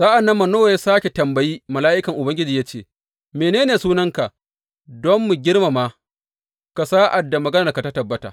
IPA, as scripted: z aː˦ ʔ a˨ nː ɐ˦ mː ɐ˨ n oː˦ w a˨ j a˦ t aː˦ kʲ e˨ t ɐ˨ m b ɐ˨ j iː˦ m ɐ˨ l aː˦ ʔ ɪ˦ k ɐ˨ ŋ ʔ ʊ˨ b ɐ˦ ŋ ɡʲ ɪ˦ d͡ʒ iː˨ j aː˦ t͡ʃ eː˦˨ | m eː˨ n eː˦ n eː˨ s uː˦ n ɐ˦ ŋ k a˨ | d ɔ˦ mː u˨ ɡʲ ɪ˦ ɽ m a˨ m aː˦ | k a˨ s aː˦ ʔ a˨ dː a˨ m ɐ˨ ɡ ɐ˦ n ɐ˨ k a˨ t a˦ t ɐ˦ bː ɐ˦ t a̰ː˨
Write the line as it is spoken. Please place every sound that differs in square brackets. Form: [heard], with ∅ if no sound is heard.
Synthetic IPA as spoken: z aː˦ ʔ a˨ nː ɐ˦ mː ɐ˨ n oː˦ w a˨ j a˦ [s] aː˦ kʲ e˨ t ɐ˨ m b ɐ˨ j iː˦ m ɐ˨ l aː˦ ʔ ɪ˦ k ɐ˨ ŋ ʔ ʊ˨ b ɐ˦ ŋ ɡʲ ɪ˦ d͡ʒ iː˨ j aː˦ t͡ʃ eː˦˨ | m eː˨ n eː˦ n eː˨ s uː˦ n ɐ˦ ŋ k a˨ | d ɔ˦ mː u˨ ɡʲ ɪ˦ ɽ m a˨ m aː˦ | k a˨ s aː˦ ʔ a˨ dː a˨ m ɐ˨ ɡ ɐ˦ n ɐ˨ k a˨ t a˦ t [ɐ˨] bː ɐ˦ t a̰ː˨

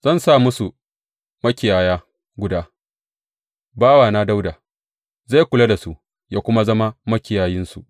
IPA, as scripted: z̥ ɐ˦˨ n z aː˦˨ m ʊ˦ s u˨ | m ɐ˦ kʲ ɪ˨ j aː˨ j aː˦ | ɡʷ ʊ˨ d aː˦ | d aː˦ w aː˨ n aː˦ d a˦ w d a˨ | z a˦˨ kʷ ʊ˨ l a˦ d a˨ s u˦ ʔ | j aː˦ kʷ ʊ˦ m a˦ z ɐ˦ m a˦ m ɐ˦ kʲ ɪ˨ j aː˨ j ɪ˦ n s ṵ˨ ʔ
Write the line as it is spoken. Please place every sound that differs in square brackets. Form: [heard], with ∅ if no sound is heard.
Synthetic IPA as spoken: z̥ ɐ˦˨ n [s] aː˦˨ m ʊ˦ s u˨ | m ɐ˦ kʲ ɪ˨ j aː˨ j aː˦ | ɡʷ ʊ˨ d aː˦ | [b] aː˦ w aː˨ n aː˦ d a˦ w d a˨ | z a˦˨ kʷ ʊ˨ l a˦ d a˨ s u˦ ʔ | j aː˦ kʷ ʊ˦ m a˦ z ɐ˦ m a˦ m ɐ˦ kʲ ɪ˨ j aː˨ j ɪ˦ n s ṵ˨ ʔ

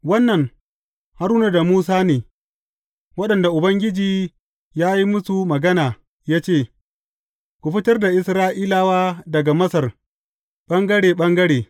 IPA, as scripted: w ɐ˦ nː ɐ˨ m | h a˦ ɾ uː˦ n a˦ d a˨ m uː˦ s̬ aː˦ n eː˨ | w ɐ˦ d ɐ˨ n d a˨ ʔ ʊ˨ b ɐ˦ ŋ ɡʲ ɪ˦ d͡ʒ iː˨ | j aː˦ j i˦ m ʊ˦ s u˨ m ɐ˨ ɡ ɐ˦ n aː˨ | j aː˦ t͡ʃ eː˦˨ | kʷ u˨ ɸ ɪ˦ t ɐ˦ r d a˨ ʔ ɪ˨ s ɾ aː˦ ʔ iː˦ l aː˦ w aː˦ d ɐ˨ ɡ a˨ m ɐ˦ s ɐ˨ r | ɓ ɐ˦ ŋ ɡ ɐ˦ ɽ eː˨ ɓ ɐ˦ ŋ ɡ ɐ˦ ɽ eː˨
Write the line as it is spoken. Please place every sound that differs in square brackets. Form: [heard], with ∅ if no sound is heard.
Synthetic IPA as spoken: w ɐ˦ nː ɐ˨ [ŋ] | h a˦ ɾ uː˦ n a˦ d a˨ m uː˦ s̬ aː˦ n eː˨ | w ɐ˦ [ɗ] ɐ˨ n d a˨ ʔ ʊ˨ b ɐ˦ ŋ ɡʲ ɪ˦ d͡ʒ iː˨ | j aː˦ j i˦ m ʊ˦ s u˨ m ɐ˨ ɡ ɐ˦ n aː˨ | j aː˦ t͡ʃ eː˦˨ | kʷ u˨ ɸ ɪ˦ t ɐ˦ r d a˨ ʔ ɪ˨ s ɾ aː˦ ʔ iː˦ l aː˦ w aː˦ d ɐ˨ ɡ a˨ m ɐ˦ s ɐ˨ r | ɓ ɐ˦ ŋ ɡ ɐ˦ ɽ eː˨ ɓ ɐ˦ ŋ ɡ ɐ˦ ɽ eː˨

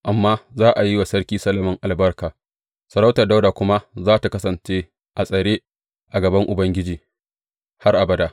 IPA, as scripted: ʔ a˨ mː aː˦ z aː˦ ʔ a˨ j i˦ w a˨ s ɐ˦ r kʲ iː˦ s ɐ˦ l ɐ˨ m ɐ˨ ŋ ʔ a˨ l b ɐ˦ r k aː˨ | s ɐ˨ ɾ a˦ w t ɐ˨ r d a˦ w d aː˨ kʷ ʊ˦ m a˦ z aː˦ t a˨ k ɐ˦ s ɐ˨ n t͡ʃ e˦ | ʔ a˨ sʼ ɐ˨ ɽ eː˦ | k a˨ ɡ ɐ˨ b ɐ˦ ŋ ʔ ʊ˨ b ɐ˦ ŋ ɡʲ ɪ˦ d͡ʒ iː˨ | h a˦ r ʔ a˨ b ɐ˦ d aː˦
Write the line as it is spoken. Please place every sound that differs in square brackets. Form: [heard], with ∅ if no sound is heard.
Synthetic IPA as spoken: ʔ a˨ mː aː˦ z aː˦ ʔ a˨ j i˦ w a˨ s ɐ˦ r kʲ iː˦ s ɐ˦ l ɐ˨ m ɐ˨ ŋ ʔ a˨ l b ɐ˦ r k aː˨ | s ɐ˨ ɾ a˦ w t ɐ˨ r d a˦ w d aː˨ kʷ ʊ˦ m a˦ z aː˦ t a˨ k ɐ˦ s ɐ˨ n t͡ʃ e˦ | ʔ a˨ sʼ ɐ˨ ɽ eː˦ | [ʔ] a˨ ɡ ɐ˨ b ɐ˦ ŋ ʔ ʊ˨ b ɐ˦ ŋ ɡʲ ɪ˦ d͡ʒ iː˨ | h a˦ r ʔ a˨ b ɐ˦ d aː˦

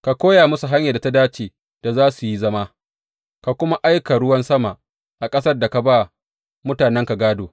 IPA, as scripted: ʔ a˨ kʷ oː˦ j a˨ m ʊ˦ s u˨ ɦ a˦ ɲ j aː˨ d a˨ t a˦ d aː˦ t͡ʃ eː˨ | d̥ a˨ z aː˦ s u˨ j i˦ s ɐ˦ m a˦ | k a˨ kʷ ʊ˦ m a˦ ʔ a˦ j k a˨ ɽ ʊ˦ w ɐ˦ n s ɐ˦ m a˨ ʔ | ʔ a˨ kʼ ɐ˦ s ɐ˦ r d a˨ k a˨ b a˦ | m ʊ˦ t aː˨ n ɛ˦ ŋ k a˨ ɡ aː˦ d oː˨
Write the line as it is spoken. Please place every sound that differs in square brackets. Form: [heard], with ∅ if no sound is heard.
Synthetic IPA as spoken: [k] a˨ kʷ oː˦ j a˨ m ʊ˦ s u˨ ɦ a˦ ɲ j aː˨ d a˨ t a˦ d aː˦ t͡ʃ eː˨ | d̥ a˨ z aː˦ s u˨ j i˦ [z] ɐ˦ m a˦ | k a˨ kʷ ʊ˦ m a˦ ʔ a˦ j k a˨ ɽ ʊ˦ w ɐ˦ n s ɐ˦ m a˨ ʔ | ʔ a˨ kʼ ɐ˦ s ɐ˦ r d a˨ k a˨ b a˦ | m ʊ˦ t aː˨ n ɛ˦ ŋ k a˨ ɡ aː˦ d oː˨

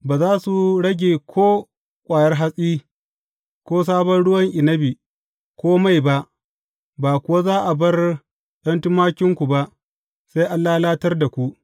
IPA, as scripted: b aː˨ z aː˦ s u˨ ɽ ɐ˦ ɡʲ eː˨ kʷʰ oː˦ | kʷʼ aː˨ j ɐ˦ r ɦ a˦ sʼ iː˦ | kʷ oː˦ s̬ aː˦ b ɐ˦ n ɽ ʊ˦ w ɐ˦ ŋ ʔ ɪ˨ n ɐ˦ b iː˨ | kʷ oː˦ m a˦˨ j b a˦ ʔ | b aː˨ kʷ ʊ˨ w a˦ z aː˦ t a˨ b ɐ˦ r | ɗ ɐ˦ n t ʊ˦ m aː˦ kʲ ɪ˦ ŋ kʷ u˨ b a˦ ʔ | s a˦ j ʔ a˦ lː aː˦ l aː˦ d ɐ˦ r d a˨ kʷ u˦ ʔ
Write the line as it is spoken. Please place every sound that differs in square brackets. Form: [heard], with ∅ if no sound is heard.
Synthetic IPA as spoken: b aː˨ z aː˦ s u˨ ɽ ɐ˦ ɡʲ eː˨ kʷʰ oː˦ | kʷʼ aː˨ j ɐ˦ r ɦ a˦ sʼ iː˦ | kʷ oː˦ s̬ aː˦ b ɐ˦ n ɽ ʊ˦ w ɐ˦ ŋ ʔ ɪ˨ n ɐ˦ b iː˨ | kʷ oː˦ m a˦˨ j b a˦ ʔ | b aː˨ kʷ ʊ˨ w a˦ z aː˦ [ʔ] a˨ b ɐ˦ r | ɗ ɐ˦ n t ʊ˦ m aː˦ kʲ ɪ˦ ŋ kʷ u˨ b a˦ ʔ | s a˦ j ʔ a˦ lː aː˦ l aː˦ [t] ɐ˦ r d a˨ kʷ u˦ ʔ

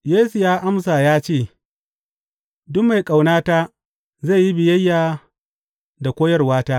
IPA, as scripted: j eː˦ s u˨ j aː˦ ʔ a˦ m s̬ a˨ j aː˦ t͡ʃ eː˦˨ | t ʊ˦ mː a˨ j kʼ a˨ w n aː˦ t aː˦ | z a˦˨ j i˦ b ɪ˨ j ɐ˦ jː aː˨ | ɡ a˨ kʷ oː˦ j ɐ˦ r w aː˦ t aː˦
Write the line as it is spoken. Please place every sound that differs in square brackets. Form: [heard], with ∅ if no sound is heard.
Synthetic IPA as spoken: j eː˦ s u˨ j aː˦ ʔ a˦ m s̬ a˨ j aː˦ t͡ʃ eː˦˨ | [d] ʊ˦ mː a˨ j kʼ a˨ w n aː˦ t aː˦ | z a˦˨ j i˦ b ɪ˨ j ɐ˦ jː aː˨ | [d] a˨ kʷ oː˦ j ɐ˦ r w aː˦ t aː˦

